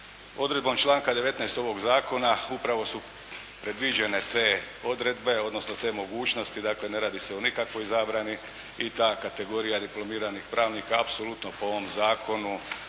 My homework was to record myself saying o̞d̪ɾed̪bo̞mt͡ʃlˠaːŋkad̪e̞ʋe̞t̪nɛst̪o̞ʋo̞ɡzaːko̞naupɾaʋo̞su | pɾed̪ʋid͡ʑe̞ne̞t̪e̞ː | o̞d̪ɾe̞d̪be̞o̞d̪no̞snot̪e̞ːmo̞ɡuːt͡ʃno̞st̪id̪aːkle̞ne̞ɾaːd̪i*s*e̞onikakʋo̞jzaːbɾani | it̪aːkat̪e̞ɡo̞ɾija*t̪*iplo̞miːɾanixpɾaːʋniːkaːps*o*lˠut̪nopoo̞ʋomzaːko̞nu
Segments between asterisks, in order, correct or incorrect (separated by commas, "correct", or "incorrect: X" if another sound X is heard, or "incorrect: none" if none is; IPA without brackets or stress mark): correct, incorrect: d̪, correct